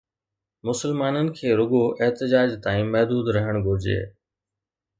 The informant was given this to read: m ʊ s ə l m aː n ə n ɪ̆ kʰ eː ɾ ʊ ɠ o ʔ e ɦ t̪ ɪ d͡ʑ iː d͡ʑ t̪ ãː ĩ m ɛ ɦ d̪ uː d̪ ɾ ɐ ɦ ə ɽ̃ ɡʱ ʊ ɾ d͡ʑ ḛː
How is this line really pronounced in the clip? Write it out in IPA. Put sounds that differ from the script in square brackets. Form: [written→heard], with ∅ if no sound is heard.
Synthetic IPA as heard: m ʊ s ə l m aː n ə n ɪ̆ kʰ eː ɾ ʊ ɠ o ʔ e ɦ t̪ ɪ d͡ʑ [iː→aː] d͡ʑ t̪ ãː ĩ m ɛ ɦ d̪ uː d̪ ɾ ɐ ɦ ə ɽ̃ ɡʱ ʊ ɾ d͡ʑ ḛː

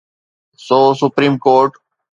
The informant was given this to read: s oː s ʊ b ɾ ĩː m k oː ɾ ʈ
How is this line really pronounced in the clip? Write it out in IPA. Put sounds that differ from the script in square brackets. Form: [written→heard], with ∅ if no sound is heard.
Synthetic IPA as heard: s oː s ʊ [b→p] ɾ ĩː m k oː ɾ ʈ

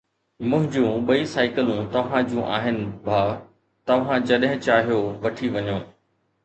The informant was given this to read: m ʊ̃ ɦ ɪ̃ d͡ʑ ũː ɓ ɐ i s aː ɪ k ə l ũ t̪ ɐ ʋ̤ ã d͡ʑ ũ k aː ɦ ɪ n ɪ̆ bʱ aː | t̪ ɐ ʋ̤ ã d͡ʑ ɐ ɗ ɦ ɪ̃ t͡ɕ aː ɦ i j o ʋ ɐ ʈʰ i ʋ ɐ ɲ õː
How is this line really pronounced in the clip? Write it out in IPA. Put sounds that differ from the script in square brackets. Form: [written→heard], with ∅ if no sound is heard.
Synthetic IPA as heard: m ʊ̃ ɦ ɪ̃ d͡ʑ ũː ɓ ɐ i s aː ɪ k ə l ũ t̪ ɐ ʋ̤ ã d͡ʑ ũ [k→ʔ] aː ɦ ɪ n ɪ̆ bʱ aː | t̪ ɐ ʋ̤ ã d͡ʑ ɐ ɗ ɦ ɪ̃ t͡ɕ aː ɦ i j o ʋ ɐ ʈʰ i ʋ ɐ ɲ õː

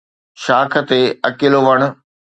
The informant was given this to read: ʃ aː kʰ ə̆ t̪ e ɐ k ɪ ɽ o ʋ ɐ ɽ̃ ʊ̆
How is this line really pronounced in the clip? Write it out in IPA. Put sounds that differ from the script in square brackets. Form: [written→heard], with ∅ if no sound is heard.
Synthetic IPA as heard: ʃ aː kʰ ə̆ t̪ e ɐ k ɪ [ɽ→l] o ʋ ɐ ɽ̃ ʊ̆

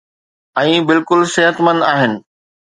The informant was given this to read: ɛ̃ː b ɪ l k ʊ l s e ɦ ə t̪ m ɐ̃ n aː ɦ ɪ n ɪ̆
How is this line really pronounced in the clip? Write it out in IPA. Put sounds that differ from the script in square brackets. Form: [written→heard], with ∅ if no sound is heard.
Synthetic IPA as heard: ɛ̃ː b ɪ l k ʊ l s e ɦ ə t̪ m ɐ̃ n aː ɦ ɪ n ɪ̆

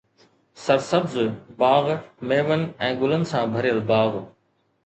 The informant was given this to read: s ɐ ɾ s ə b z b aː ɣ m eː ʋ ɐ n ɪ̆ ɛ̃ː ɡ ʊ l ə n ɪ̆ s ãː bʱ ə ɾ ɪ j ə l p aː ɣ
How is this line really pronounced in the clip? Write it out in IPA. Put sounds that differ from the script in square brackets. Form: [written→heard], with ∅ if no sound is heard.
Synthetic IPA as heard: s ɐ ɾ s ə b z b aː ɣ m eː ʋ [ɐ→ə] n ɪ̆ ɛ̃ː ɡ ʊ l ə n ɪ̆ s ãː bʱ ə ɾ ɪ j ə l [p→b] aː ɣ

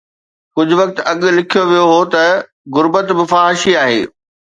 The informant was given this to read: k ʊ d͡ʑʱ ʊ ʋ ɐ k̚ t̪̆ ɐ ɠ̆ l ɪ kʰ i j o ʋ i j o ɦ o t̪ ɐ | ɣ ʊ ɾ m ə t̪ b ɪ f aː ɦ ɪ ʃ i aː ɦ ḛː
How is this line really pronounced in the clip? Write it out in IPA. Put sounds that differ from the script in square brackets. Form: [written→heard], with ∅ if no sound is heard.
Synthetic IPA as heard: k ʊ d͡ʑʱ ʊ ʋ ɐ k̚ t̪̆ ɐ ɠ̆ l ɪ kʰ i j o ʋ i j o ɦ o t̪ ɐ | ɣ ʊ ɾ [m→b] ə t̪ b ɪ f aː ɦ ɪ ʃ i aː ɦ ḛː

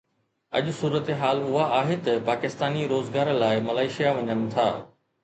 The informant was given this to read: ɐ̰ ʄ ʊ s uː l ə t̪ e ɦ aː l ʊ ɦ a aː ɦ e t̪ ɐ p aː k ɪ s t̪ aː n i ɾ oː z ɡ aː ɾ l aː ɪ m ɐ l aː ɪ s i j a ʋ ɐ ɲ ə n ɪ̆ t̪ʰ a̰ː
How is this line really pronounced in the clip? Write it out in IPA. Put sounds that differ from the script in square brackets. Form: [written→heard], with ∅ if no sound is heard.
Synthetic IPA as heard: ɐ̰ ʄ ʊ s uː [l→ɾ] ə t̪ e ɦ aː l ʊ ɦ a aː ɦ e t̪ ɐ p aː k ɪ s t̪ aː n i ɾ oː z ɡ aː ɾ l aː ɪ m ɐ l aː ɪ [s→ʃ] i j a ʋ ɐ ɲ ə n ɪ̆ t̪ʰ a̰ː

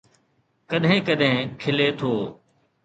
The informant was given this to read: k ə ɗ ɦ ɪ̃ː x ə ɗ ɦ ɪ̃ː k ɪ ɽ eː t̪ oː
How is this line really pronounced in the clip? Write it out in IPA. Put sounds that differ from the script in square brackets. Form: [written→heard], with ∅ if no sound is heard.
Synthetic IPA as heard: k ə ɗ ɦ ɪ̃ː [x→k] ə ɗ ɦ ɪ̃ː [k→kʰ] ɪ [ɽ→l] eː [t̪→t̪ʰ] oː

